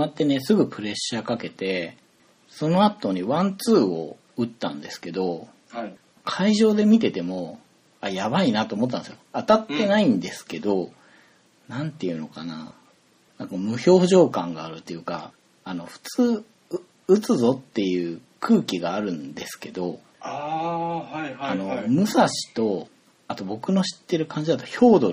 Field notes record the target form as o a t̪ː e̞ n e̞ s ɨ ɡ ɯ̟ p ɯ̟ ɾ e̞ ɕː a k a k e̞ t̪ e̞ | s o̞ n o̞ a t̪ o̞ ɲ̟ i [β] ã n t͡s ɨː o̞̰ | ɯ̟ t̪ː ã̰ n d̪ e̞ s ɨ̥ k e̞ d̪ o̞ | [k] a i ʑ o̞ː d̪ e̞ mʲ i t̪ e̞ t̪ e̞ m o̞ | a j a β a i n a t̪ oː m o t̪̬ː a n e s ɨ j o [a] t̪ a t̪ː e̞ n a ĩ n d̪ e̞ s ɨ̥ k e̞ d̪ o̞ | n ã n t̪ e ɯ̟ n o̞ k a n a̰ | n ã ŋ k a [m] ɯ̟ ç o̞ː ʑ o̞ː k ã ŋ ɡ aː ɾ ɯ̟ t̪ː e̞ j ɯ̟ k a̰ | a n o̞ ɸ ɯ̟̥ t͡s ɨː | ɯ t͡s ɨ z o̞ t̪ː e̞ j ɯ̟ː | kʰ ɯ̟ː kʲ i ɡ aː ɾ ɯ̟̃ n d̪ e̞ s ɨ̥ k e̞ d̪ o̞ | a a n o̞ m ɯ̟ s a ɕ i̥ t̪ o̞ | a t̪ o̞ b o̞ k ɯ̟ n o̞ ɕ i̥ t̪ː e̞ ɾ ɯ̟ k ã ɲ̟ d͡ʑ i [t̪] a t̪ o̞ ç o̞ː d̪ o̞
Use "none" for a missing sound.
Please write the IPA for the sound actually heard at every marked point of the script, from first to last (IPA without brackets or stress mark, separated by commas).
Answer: β, kʰ, a, m, d̪